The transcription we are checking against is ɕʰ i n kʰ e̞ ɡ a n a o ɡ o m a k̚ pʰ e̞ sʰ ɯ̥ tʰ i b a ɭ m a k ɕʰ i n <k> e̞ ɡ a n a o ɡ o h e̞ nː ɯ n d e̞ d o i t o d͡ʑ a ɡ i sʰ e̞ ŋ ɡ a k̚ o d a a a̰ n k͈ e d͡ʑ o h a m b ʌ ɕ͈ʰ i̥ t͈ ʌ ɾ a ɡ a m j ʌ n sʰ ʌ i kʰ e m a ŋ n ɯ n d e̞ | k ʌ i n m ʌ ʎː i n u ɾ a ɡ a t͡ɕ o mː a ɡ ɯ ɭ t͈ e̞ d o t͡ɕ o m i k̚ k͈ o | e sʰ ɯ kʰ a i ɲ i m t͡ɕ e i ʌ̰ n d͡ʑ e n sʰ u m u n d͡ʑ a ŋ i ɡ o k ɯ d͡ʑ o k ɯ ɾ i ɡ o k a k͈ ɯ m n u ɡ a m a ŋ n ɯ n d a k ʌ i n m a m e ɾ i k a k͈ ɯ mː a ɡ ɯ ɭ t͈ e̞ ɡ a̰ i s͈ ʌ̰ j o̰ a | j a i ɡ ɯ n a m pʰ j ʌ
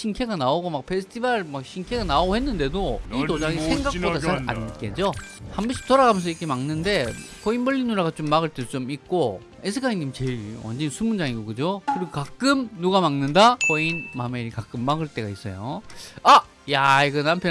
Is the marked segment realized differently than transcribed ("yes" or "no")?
yes